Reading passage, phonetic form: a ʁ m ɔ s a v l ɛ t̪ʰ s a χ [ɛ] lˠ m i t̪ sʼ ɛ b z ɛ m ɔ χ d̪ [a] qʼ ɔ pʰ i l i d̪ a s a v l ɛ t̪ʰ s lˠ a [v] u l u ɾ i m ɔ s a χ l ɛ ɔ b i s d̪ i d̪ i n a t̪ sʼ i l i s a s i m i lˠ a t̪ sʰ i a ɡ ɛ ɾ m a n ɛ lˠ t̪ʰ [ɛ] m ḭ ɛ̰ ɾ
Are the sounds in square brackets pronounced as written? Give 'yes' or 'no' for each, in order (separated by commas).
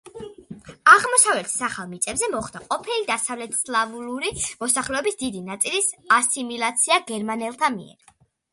no, yes, yes, no